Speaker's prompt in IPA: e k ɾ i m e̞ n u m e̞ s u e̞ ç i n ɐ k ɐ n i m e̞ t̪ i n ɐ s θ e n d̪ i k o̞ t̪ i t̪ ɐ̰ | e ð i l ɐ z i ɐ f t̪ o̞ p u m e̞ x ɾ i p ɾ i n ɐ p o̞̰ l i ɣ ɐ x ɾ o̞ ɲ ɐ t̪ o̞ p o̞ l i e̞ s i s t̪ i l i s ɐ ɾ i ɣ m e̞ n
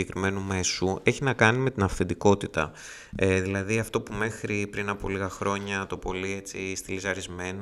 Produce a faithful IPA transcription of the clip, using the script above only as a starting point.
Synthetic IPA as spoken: e k ɾ i m e̞ n u m e̞ s u e̞ ç i n ɐ k ɐ n i m e̞ t̪ i n ɐ f θ e n d̪ i k o̞ t̪ i t̪ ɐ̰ | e ð i l ɐ ð i ɐ f t̪ o̞ p u m e̞ x ɾ i p ɾ i n ɐ p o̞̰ l i ɣ ɐ x ɾ o̞ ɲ ɐ t̪ o̞ p o̞ l i e̞ t͡s i s t̪ i l i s ɐ ɾ i z m e̞ n